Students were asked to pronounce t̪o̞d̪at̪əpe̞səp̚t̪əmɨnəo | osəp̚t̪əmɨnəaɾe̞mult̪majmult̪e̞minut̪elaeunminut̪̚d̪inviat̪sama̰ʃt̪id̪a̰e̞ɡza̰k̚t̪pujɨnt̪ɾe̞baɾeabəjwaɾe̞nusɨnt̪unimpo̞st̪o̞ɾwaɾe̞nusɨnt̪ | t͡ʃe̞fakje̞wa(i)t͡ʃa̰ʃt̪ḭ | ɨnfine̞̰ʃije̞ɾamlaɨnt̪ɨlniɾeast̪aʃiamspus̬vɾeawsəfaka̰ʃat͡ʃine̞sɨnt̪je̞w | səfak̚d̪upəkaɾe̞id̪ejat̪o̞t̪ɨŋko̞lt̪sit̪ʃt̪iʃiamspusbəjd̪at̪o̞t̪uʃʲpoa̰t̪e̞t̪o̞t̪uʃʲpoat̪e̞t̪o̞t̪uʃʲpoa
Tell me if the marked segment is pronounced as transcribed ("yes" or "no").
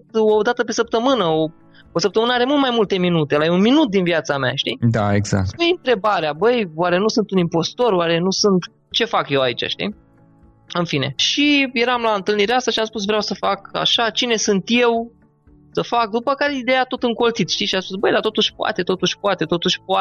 yes